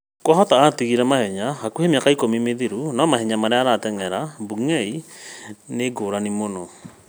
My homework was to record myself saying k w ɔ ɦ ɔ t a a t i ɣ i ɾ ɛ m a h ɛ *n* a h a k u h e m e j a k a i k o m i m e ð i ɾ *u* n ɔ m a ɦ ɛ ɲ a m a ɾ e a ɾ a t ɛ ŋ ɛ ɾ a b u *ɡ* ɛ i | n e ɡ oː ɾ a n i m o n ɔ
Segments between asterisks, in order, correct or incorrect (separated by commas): incorrect, correct, incorrect